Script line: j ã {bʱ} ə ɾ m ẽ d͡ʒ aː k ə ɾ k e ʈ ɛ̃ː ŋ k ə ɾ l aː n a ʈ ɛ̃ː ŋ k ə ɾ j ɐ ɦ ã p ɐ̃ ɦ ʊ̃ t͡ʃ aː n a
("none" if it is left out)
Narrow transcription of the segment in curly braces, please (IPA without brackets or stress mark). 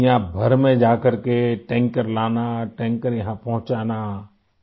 bʱ